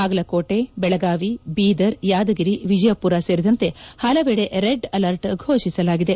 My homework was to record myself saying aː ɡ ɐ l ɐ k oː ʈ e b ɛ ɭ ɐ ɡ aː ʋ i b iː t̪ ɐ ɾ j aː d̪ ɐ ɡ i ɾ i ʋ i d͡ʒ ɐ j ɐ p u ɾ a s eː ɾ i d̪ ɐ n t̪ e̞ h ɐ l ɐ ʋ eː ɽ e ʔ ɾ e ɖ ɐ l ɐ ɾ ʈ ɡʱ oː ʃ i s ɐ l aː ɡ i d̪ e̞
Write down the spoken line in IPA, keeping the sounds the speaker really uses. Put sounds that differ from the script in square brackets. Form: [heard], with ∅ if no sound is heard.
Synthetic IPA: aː ɡ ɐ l ɐ k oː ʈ e b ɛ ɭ ɐ ɡ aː ʋ i b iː [d̪] ɐ ɾ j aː d̪ ɐ ɡ i ɾ i ʋ i d͡ʒ ɐ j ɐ p u ɾ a s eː ɾ i d̪ ɐ n t̪ e̞ h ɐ l ɐ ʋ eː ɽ e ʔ ɾ e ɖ ɐ l ɐ ɾ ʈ ɡʱ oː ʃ i s ɐ l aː ɡ i d̪ e̞